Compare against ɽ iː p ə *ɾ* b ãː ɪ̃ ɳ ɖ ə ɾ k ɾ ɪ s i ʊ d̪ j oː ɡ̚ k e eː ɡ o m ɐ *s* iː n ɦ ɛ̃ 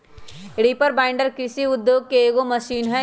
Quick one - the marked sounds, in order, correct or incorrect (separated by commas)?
correct, incorrect